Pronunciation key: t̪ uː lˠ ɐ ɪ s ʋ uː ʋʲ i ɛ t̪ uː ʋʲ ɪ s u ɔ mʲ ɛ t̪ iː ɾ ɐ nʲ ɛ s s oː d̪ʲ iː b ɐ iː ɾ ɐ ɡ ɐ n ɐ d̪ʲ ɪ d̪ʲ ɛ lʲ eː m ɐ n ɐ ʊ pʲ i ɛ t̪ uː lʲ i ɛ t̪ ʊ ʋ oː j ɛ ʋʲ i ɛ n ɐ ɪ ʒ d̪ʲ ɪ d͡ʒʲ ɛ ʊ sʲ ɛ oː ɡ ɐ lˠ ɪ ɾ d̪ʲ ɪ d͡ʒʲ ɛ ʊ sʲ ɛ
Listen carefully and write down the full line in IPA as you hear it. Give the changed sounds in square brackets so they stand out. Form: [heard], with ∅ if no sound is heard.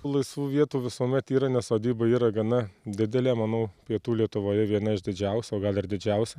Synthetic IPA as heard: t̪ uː lˠ ɐ ɪ s ʋ uː ʋʲ i ɛ t̪ uː ʋʲ ɪ s u ɔ mʲ ɛ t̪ iː ɾ ɐ nʲ ɛ s s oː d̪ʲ iː b ɐ iː ɾ ɐ ɡ ɐ n ɐ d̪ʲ ɪ d̪ʲ ɛ lʲ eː m ɐ n ɐ ʊ pʲ i ɛ t̪ uː lʲ i ɛ t̪ ʊ ʋ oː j ɛ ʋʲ i ɛ n ɐ ɪ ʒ d̪ʲ ɪ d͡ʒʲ ɛ ʊ sʲ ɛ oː ɡ ɐ lˠ ɪ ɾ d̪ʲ ɪ d͡ʒʲ ɛ ʊ sʲ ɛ